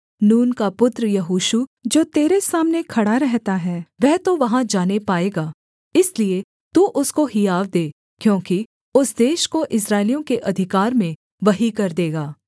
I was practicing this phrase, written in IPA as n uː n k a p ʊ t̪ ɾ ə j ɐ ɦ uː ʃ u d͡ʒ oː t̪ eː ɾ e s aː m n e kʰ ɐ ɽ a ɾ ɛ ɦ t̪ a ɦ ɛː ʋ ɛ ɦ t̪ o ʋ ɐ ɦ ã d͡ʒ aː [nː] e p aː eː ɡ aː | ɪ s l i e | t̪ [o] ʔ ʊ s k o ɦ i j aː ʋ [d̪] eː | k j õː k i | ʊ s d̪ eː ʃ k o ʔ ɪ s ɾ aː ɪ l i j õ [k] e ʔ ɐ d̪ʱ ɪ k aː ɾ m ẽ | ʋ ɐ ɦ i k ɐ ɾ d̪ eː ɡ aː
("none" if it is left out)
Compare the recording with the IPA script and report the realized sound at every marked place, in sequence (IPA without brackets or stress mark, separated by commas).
n, u, d̪, k